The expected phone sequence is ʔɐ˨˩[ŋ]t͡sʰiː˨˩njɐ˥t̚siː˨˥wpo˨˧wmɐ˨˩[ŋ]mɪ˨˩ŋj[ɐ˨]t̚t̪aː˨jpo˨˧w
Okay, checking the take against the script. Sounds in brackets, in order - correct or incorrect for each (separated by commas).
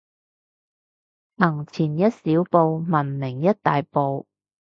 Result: correct, incorrect, incorrect